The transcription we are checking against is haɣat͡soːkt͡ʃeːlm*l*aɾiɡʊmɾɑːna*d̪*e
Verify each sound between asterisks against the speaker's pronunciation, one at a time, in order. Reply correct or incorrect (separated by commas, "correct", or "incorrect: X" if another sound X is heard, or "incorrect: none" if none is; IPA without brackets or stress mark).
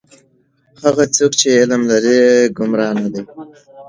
correct, correct